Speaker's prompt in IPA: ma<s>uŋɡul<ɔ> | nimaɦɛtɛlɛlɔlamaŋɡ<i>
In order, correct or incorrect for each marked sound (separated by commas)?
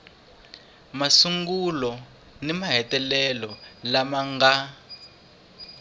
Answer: correct, correct, incorrect